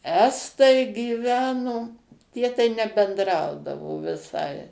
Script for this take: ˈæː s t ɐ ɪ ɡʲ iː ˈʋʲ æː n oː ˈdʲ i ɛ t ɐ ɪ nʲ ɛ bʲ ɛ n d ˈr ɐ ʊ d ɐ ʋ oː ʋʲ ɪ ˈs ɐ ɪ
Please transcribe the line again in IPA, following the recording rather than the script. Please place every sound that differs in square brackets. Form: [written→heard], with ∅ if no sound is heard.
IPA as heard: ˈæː s t ɐ ɪ ɡʲ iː ˈʋʲ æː n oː [ˈdʲ→ˈtʲ] i ɛ t ɐ ɪ nʲ ɛ bʲ ɛ n d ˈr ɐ ʊ d ɐ ʋ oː ʋʲ ɪ ˈs ɐ ɪ